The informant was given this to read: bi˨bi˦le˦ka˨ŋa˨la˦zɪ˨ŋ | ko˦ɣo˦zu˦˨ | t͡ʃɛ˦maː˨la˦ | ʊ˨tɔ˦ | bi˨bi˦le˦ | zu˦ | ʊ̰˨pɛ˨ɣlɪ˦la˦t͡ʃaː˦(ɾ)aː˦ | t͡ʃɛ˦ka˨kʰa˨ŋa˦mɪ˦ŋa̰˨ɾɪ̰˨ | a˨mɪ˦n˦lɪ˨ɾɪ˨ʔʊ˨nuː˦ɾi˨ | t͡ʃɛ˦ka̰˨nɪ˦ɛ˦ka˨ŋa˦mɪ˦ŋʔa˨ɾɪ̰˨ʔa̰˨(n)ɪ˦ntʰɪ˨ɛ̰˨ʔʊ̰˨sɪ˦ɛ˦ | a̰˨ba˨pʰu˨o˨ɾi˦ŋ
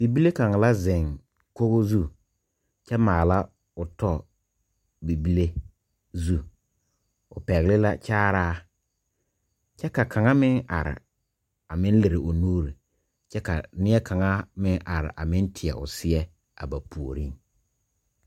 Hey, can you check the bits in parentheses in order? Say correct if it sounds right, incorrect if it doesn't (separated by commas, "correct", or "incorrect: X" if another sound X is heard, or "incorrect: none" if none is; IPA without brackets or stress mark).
correct, incorrect: m